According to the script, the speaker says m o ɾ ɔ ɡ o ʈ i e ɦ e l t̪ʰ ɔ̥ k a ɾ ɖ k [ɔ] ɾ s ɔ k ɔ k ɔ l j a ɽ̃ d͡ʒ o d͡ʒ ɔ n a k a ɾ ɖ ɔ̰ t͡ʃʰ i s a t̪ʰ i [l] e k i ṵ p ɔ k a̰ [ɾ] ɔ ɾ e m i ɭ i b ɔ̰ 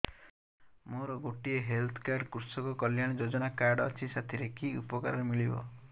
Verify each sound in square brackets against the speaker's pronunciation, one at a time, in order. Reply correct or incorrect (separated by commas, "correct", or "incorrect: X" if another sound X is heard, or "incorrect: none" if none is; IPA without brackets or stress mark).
incorrect: u, incorrect: ɾ, correct